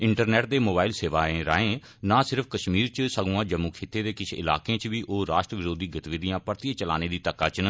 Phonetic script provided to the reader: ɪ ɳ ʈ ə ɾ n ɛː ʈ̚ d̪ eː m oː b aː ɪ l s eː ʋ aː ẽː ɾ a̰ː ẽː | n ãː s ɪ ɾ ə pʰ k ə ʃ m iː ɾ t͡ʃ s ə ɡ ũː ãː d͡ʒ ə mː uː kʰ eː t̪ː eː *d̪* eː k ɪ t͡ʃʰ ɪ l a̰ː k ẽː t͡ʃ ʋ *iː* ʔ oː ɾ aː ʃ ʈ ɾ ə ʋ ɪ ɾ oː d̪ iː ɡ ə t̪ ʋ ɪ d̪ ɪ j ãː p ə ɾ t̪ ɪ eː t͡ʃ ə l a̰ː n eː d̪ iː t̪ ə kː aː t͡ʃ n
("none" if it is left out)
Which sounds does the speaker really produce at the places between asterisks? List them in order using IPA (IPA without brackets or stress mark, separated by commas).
d̪, iː